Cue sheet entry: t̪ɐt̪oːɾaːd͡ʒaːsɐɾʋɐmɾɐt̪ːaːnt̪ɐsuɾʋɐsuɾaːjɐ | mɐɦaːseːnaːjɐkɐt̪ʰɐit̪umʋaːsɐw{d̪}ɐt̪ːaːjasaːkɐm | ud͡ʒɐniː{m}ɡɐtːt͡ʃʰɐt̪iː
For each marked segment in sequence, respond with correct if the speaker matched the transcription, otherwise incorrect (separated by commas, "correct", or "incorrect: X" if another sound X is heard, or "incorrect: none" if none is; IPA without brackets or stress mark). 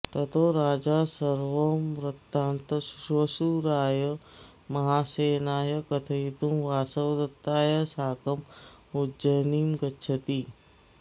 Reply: correct, correct